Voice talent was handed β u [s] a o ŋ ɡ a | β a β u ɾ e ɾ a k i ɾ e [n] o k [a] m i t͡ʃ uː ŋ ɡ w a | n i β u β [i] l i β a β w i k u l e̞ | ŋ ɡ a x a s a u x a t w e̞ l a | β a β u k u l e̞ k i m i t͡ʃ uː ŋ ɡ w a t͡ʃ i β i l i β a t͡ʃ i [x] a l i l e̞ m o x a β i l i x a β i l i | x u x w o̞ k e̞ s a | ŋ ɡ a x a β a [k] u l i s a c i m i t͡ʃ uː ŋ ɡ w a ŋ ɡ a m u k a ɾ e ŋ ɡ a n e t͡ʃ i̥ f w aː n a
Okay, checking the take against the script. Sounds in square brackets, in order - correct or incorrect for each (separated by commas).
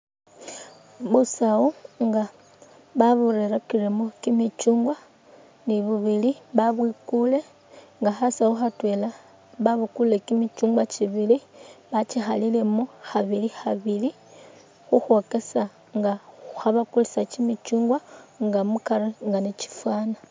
correct, incorrect, incorrect, correct, correct, correct